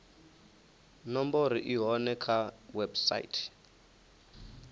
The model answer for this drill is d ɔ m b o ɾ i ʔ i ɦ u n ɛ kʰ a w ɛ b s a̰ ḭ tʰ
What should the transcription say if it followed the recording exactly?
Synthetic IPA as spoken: n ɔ m b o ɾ i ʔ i ɦ ɔ n ɛ kʰ a w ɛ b s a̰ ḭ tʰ